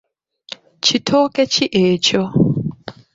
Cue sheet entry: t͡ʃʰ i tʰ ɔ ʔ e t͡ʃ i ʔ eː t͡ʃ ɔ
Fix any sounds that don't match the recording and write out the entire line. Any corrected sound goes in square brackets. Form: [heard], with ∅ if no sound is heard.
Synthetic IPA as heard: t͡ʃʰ i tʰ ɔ [k] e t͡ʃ i ʔ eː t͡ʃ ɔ